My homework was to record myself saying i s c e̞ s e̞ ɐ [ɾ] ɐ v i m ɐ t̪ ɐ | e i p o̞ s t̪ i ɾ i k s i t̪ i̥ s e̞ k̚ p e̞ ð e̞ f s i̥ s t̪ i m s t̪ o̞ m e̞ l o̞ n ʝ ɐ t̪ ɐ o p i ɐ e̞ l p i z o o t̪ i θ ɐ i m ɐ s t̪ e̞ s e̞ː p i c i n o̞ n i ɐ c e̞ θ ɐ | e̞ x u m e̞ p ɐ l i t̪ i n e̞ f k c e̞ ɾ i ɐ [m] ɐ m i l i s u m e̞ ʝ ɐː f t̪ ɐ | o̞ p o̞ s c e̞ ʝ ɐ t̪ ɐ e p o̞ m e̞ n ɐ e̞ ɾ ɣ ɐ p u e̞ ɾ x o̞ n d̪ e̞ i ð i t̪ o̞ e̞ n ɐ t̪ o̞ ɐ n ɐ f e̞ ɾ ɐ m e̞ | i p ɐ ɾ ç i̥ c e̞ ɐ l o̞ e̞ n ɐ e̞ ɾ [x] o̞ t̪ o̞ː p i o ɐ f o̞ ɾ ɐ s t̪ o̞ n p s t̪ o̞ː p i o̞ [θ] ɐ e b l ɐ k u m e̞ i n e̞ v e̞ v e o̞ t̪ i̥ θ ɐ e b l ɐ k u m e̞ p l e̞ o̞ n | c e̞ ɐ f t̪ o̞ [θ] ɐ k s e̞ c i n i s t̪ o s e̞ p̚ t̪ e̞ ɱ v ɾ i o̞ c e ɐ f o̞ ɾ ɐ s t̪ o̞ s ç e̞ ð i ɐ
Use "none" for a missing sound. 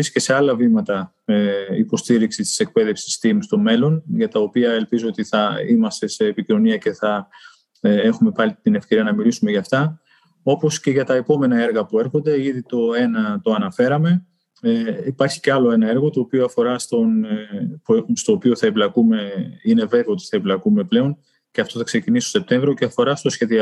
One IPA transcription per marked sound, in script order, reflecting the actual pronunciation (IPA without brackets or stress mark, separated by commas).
l, n, ɣ, θ, θ